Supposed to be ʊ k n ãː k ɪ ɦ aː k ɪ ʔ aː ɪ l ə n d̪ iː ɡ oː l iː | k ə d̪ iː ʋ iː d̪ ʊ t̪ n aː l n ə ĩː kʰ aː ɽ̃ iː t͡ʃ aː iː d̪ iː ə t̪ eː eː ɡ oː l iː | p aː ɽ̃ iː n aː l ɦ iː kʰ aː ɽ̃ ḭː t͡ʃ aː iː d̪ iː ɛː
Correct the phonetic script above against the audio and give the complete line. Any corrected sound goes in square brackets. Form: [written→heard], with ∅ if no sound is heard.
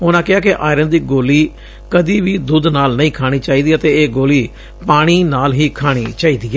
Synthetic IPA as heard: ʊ [k→∅] n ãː k ɪ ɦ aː k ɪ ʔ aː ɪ [l→ɾ] ə n d̪ iː ɡ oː l iː | k ə d̪ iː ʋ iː d̪ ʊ [t̪→d̪] n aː l n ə ĩː kʰ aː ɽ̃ iː t͡ʃ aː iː d̪ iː ə t̪ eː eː ɡ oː l iː | p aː ɽ̃ iː n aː l ɦ iː kʰ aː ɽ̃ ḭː t͡ʃ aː iː d̪ iː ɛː